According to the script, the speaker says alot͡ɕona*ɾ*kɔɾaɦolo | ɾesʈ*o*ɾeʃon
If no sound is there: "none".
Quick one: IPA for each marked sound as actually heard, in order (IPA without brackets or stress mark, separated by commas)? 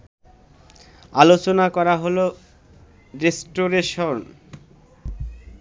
none, o